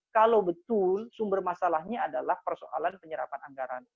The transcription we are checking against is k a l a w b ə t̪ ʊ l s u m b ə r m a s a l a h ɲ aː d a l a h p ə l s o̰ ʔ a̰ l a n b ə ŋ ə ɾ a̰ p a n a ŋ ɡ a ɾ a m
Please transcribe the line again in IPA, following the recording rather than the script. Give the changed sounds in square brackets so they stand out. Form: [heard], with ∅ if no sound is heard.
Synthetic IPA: k a l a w b ə t̪ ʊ l s u m b ə r m a s a l a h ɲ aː d a l a h p ə [r] s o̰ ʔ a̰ l a n [p] ə [ɲ] ə ɾ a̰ p a n a ŋ ɡ a ɾ a [n]

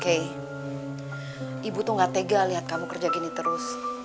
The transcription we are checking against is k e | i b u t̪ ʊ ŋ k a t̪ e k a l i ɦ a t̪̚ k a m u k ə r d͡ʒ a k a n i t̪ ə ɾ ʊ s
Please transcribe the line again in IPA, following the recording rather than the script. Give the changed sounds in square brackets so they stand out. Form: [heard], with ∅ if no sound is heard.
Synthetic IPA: k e | i b u t̪ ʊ ŋ [ɡ] a t̪ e [ɡ] a l i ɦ a t̪̚ k a m u k ə r d͡ʒ a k [i] n i t̪ ə ɾ ʊ s

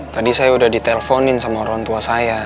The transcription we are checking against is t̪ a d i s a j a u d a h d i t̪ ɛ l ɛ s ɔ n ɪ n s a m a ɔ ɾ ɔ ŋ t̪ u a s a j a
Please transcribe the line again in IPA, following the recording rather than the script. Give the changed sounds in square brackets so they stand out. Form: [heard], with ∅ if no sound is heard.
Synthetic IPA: t̪ a d i s a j a u d a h d i t̪ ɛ l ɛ [f] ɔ n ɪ n s a m a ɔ ɾ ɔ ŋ t̪ u a s a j a

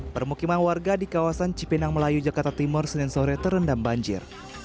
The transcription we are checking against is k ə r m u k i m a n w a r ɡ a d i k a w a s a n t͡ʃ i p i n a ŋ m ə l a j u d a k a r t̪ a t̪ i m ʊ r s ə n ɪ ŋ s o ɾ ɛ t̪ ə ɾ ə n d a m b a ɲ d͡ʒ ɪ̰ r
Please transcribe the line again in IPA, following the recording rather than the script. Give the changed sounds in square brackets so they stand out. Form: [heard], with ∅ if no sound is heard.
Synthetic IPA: [p] ə r m u k i m a n w a r ɡ a d i k a w a s a n t͡ʃ i p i n a ŋ m ə l a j u [d͡ʒ] a k a r t̪ a t̪ i m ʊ r s ə n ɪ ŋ s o ɾ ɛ t̪ ə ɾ ə n d a m b a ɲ d͡ʒ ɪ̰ r

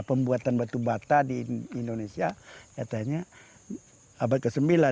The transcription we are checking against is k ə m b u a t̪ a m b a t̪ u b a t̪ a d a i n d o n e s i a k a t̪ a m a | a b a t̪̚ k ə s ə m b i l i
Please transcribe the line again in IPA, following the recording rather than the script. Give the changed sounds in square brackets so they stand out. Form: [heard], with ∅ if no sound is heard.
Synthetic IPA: [p] ə m b u a t̪ a [n] b a t̪ u b a t̪ a d [i] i n d o n e s i a k a t̪ a [ɲ] a | a b a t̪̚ k ə s ə m b i l [a]

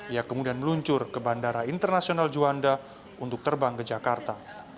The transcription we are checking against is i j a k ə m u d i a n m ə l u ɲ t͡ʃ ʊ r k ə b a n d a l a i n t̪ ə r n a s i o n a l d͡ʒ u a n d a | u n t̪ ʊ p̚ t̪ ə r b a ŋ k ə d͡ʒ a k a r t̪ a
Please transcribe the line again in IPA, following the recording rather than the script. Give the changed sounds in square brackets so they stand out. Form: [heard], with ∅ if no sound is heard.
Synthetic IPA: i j a k ə m u d i a n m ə l u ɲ t͡ʃ ʊ r k ə b a n d a [ɾ] a i n t̪ ə r n a s i o n a l d͡ʒ u a n d a | u n t̪ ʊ [k̚] t̪ ə r b a ŋ k ə d͡ʒ a k a r t̪ a

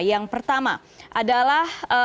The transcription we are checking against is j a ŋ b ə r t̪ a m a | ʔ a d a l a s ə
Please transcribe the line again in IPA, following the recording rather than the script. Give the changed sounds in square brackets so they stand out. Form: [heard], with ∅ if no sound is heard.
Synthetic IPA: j a ŋ [p] ə r t̪ a m a | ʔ a d a l a [h] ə

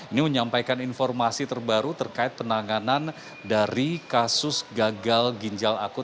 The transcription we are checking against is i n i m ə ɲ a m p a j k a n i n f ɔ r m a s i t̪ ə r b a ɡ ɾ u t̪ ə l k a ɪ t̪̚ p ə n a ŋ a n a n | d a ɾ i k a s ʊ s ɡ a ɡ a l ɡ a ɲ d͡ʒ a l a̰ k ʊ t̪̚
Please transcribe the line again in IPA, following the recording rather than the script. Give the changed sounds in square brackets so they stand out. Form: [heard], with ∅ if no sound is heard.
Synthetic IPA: i n i m ə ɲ a m p a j k a n i n f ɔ r m a s i t̪ ə r b a [∅] ɾ u t̪ ə [r] k a ɪ t̪̚ p ə n a ŋ a n a n | d a ɾ i k a s ʊ s ɡ a ɡ a l ɡ [i] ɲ d͡ʒ a l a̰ k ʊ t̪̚

